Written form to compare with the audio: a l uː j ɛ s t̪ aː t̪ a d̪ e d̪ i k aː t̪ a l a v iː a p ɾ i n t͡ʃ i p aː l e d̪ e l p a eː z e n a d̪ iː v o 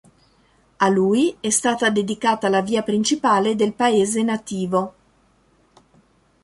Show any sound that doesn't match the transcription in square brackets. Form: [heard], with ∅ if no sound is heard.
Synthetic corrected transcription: a l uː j ɛ s t̪ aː t̪ a d̪ e d̪ i k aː t̪ a l a v iː a p ɾ i n t͡ʃ i p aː l e d̪ e l p a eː z e n a [t̪] iː v o

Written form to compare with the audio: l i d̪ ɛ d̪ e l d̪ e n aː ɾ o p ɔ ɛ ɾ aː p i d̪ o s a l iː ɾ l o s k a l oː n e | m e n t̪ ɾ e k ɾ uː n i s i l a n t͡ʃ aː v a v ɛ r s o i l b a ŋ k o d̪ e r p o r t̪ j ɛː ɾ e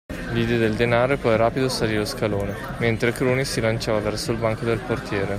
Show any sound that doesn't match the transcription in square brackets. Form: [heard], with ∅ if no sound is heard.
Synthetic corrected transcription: l i d̪ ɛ d̪ e l d̪ e n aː ɾ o p ɔ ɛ ɾ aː p i d̪ o s a l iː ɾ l o s k a l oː n e | m e n t̪ ɾ e k ɾ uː n i s i l a n t͡ʃ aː v a v ɛ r s o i l b a ŋ k o d̪ e [l] p o r t̪ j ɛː ɾ e

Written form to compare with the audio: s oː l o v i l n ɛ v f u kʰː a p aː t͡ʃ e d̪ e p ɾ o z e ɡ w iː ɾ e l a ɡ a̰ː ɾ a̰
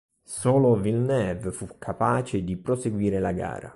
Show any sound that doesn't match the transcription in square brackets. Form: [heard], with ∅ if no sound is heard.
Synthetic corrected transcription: s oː l o v i l n ɛ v f u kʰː a p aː t͡ʃ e d̪ [i] p ɾ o [s] e ɡ w iː ɾ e l a ɡ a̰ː ɾ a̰

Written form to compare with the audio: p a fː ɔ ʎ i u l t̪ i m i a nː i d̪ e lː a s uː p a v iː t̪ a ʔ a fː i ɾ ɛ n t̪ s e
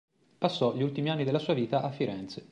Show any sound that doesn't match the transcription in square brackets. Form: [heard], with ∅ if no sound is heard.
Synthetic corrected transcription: p a [sː] ɔ ʎ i u l t̪ i m i a nː i d̪ e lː a s uː [∅] a v iː t̪ a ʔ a fː i ɾ ɛ n t̪ s e

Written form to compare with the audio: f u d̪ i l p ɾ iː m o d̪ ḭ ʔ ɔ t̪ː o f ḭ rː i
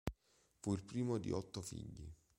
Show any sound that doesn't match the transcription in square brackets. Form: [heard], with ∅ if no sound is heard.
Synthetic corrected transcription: f u [∅] i l p ɾ iː m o d̪ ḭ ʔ ɔ t̪ː o f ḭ [ʎː] i

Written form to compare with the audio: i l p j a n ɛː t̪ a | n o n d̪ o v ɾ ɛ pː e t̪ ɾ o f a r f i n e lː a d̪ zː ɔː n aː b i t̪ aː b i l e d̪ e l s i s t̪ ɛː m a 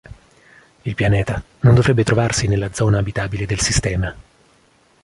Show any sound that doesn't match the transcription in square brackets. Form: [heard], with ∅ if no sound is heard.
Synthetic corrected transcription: i l p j a n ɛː t̪ a | n o n d̪ o v ɾ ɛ [bː] e t̪ ɾ o [v] a r [s] i n e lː a d̪ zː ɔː n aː b i t̪ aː b i l e d̪ e l s i s t̪ ɛː m a

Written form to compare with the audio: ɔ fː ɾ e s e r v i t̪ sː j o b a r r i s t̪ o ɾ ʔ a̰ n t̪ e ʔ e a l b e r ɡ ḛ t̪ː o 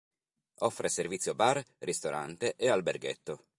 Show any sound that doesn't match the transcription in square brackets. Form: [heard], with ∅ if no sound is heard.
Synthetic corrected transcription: ɔ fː ɾ e s e r v i t̪ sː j o b a r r i s t̪ o ɾ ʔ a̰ n t̪ e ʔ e a l b e r ɡ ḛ t̪ː o

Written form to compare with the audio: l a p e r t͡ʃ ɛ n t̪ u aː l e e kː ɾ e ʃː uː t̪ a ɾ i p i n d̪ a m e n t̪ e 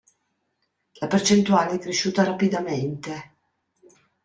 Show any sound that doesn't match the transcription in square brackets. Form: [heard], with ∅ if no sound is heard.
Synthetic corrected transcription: l a p e r t͡ʃ [e] n t̪ u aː l e [ɛ] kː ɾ e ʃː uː t̪ a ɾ [a] p i [∅] d̪ a m e n t̪ e

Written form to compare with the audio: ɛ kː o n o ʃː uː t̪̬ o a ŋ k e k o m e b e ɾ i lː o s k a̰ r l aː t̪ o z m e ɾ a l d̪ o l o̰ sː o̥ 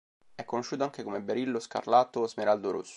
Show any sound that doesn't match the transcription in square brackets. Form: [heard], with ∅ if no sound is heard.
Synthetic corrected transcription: ɛ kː o n o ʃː uː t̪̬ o a ŋ k e k o m e b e ɾ i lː o s k a̰ r l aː t̪ o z m e ɾ a l d̪ o [ɾ] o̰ sː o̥

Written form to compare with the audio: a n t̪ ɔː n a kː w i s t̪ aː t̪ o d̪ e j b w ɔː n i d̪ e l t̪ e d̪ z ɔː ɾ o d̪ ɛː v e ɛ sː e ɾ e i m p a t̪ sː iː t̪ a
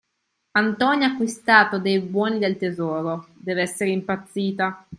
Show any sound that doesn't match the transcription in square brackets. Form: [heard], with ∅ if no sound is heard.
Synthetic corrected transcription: a n t̪ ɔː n a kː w i s t̪ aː t̪ o d̪ e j b w ɔː n i d̪ e l t̪ e [∅] z ɔː ɾ o d̪ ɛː v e ɛ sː e ɾ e i m p a t̪ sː iː t̪ a

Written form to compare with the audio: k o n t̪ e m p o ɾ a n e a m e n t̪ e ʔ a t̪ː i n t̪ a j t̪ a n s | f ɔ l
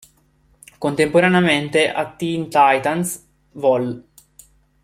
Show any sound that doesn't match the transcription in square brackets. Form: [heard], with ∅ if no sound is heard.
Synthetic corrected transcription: k o n t̪ e m p o ɾ a n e a m e n t̪ e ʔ a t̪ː i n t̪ a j t̪ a n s | [v] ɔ l

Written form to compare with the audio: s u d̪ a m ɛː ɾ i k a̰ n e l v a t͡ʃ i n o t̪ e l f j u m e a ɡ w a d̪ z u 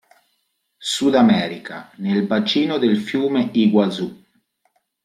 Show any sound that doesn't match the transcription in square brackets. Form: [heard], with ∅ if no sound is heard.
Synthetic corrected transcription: s u d̪ a m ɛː ɾ i k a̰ n e l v a t͡ʃ [iː] n o [d̪] e l f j [uː] m e [i] ɡ w a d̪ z u

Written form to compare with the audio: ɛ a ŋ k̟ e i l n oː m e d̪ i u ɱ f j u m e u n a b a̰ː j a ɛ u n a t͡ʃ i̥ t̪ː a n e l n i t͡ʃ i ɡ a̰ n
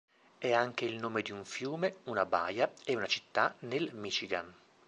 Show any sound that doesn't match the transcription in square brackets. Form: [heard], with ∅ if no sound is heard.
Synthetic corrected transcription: ɛ a ŋ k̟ e i l n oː m e d̪ i u ɱ f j [uː] m e u n a b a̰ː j a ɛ u n a t͡ʃ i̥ t̪ː a n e l [m] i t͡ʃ i ɡ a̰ n

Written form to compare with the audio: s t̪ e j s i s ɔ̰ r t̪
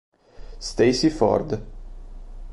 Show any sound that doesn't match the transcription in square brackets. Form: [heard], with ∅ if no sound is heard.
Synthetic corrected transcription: s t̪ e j s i [f] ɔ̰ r [d̪]

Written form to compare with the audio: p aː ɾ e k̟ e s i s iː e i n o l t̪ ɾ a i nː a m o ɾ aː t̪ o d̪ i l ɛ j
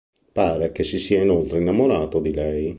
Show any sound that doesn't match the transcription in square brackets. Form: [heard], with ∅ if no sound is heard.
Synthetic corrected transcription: p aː ɾ e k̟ e s i s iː [a] i n o l t̪ ɾ [e] i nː a m o ɾ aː t̪ o d̪ i l ɛ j

